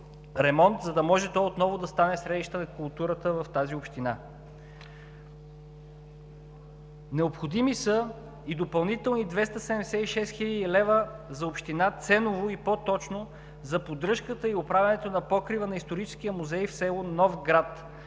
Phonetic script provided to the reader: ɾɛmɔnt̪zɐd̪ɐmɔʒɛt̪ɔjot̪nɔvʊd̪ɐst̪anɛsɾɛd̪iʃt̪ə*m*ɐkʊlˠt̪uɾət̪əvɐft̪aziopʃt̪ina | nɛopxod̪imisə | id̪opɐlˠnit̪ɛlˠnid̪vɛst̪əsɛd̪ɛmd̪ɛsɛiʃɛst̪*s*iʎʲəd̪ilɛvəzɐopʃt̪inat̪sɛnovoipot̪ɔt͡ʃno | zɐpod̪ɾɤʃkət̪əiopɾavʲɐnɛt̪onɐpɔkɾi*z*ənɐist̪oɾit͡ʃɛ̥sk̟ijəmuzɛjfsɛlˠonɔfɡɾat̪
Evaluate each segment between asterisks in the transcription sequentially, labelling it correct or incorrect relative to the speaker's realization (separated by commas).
incorrect, incorrect, incorrect